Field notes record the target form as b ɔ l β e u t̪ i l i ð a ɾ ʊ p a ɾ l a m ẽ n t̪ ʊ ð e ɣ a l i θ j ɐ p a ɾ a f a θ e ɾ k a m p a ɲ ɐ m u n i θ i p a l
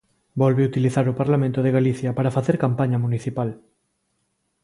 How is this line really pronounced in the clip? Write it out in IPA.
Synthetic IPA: b ɔ l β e u t̪ i l i θ a ɾ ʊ p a ɾ l a m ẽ n t̪ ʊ ð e ɣ a l i θ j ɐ p a ɾ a f a θ e ɾ k a m p a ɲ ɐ m u n i θ i p a l